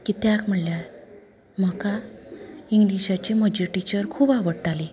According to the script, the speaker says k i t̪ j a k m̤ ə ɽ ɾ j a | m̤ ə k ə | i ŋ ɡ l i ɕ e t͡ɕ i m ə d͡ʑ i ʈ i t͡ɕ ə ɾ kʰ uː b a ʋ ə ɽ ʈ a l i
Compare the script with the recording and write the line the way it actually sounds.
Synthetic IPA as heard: k i t̪ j a k m̤ ə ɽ l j a | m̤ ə k a | i ŋ ɡ l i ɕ a t͡ɕ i m ə d͡ʑ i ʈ i t͡ɕ ə ɾ kʰ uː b a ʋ ə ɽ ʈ a l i